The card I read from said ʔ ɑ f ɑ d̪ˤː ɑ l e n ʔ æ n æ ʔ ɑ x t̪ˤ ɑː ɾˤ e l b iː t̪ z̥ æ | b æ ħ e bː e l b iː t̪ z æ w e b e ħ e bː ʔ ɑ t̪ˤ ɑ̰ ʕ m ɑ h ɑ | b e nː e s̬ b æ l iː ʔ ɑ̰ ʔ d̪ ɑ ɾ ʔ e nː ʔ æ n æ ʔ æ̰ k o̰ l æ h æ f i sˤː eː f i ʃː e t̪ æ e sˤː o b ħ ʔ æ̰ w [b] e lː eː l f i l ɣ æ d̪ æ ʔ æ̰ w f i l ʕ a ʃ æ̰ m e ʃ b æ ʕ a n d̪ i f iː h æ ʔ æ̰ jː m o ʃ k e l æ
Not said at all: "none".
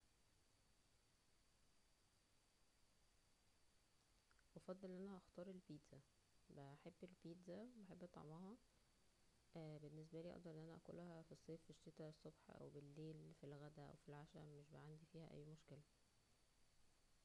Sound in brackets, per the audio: b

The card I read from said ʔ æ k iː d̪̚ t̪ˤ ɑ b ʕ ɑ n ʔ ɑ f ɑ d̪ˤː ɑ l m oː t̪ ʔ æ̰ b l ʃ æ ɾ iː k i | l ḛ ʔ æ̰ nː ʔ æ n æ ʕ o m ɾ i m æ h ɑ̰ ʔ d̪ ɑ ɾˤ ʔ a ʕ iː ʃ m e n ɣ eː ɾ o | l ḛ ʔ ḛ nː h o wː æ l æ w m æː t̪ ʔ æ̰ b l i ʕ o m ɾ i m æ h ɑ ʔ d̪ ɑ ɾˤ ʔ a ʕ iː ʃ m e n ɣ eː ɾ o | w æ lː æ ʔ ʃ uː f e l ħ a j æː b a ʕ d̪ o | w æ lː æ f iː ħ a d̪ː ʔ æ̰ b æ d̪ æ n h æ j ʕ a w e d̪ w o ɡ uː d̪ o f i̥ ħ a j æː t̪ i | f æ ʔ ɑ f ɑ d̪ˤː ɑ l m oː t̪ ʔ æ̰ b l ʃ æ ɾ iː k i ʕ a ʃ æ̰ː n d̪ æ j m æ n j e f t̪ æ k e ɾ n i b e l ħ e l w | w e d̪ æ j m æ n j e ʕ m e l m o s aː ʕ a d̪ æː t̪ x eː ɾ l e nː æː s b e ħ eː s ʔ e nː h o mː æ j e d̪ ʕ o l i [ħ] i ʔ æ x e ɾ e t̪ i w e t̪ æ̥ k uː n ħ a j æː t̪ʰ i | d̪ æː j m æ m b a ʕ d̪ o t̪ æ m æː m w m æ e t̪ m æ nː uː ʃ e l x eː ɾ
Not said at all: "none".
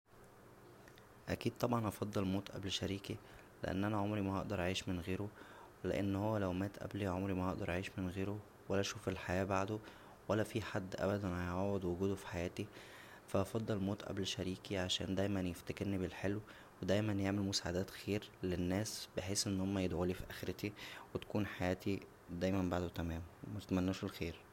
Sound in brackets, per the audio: f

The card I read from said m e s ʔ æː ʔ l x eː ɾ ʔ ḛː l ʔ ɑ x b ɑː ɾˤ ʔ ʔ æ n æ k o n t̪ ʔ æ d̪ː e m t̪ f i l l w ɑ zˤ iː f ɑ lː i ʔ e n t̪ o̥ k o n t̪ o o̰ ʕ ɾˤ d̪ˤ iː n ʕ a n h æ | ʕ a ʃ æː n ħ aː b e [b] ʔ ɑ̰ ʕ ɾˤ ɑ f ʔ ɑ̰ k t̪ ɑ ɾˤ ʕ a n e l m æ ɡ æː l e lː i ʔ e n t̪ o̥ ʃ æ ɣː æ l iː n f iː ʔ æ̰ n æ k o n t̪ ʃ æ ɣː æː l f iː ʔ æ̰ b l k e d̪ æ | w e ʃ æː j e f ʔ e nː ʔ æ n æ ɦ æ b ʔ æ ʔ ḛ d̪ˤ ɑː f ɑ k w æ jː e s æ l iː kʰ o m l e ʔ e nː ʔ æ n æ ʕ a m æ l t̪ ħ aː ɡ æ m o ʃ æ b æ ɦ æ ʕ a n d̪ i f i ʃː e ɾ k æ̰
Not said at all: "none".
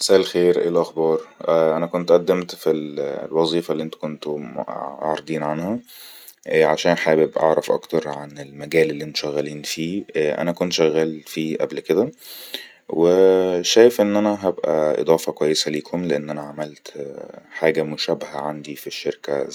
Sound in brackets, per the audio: b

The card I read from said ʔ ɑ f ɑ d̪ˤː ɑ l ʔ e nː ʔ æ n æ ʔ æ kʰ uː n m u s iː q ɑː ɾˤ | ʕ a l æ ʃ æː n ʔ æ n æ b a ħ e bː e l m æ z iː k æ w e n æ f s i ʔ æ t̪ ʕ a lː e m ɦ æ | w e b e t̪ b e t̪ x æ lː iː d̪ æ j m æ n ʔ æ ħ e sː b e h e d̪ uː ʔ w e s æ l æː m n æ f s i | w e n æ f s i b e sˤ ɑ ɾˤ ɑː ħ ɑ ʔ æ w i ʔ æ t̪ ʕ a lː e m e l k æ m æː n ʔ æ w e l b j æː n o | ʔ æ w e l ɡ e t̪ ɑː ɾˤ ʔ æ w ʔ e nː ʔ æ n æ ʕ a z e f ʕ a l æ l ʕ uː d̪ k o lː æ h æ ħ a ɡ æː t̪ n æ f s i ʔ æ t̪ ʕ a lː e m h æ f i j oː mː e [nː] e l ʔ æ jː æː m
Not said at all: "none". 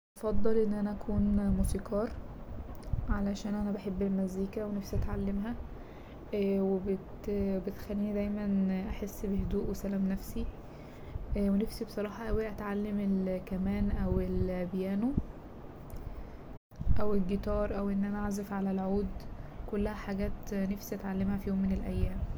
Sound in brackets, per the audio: n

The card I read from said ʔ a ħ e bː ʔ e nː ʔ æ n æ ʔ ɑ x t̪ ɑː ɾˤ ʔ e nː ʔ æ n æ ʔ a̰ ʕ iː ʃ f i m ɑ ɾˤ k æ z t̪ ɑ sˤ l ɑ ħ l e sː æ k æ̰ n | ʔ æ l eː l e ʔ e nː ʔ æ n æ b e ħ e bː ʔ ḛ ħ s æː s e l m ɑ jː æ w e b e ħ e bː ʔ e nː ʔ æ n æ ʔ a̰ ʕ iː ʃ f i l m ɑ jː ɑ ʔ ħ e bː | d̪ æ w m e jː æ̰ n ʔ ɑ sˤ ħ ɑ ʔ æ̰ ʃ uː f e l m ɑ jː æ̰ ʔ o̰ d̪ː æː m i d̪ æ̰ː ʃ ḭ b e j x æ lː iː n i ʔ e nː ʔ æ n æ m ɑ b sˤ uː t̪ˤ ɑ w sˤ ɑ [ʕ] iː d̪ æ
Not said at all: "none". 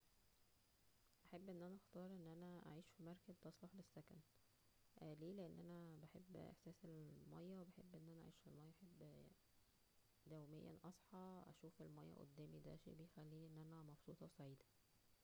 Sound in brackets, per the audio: ʕ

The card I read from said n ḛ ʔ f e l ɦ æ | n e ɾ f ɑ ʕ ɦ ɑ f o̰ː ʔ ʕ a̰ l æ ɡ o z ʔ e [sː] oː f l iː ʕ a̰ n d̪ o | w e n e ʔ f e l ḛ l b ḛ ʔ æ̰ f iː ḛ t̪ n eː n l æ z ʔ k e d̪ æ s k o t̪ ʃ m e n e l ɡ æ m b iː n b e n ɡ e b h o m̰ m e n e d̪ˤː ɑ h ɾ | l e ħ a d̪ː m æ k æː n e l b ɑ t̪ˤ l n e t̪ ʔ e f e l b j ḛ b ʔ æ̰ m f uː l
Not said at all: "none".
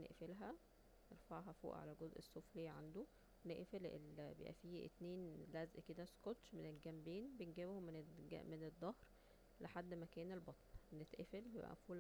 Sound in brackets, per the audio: sː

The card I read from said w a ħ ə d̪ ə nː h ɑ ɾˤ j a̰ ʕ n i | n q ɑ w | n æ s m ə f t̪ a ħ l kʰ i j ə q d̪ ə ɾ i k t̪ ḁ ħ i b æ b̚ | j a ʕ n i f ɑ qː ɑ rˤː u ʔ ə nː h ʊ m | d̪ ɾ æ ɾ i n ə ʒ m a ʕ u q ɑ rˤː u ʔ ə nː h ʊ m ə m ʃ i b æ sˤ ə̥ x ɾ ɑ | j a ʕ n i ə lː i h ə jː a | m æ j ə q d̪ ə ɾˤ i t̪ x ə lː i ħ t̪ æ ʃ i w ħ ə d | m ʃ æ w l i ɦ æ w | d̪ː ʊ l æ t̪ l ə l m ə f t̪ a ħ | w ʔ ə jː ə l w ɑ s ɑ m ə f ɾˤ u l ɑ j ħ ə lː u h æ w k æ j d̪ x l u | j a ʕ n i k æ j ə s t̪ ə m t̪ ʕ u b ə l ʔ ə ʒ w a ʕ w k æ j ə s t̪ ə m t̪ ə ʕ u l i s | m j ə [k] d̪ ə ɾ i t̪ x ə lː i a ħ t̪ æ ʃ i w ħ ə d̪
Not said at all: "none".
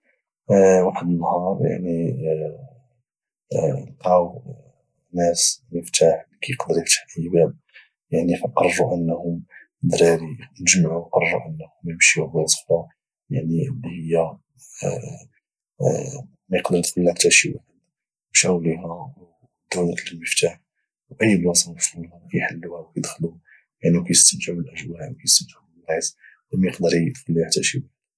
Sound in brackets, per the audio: q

